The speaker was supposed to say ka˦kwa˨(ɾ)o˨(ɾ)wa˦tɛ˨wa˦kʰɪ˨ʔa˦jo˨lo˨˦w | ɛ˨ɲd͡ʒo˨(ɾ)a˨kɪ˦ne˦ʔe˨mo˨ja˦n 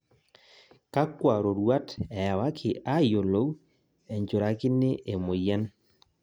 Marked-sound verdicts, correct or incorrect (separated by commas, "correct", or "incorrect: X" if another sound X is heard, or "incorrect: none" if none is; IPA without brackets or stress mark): correct, correct, correct